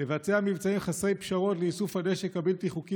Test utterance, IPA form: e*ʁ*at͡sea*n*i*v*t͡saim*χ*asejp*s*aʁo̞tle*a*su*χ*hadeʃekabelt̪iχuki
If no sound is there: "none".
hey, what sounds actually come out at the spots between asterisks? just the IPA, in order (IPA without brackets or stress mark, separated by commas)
v, m, v, χ, ʃ, i, f